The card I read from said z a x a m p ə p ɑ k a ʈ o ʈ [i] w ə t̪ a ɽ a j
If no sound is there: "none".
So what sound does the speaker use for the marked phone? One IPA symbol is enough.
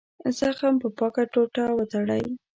a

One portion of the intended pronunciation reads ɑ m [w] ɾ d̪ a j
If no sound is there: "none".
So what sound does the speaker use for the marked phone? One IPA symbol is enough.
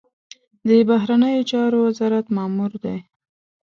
u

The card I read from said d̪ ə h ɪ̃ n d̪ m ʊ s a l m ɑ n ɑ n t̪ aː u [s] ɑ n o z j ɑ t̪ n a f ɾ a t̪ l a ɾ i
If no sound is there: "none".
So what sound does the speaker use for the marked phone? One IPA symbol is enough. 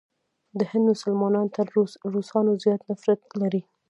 s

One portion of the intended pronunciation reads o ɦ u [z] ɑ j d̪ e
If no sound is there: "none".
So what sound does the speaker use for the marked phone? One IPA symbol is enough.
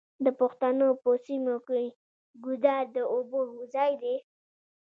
z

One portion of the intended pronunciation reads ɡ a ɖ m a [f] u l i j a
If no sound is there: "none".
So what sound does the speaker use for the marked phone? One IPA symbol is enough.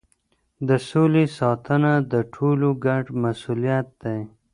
s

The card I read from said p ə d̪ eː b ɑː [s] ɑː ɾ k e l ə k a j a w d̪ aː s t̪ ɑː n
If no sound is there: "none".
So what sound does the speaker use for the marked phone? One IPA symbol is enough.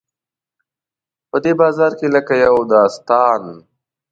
z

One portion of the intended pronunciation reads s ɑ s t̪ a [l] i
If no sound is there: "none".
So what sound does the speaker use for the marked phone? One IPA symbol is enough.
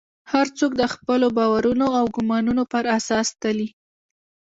l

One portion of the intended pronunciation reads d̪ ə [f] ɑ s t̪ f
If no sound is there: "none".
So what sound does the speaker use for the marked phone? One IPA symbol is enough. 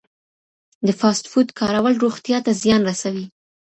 f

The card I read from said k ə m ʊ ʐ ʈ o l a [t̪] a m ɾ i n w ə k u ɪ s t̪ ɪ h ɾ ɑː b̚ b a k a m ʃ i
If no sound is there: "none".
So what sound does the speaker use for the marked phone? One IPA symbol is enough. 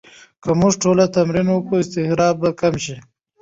t̪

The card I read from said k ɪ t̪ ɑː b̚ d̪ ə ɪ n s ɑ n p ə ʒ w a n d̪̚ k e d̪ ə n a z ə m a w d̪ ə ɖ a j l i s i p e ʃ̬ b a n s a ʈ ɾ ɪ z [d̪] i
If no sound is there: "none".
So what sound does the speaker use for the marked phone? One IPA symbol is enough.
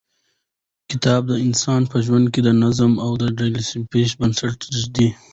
d̪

